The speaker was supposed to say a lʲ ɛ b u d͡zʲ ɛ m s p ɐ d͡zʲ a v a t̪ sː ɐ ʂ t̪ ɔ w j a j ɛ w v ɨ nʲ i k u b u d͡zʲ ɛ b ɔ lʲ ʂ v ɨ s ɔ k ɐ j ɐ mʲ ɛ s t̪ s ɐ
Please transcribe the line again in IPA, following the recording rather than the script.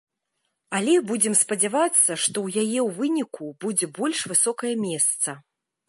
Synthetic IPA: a lʲ ɛ b u d͡zʲ ɛ m s p ɐ d͡zʲ a v a t̪ sː ɐ ʂ t̪ ɔ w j a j ɛ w v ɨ nʲ i k u b u d͡zʲ ɛ b ɔ lʲ ʂ v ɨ s ɔ k ɐ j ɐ mʲ ɛ s t̪ s ɐ